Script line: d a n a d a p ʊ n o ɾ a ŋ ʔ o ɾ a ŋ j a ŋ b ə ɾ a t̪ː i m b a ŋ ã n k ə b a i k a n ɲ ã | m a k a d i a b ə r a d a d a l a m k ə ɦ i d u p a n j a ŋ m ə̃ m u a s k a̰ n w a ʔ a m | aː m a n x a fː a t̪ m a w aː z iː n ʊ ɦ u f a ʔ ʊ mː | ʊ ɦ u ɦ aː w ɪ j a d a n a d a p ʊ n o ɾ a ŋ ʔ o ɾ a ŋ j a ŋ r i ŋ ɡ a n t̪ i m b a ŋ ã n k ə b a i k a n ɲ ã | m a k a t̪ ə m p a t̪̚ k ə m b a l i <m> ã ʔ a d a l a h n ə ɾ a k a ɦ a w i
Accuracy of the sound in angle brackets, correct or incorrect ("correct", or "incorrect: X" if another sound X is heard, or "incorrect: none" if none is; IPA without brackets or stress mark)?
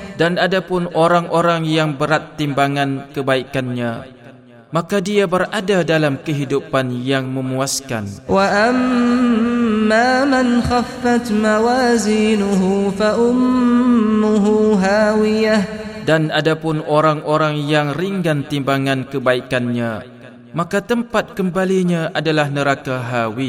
incorrect: ɲ